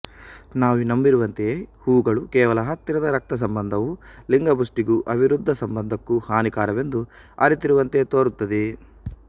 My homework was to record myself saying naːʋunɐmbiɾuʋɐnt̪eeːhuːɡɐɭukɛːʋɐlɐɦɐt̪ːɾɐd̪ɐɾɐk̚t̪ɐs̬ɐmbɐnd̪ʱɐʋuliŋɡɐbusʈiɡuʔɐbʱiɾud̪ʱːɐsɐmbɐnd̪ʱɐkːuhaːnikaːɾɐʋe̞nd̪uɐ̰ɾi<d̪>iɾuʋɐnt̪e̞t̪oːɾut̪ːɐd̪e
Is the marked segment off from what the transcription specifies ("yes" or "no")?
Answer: yes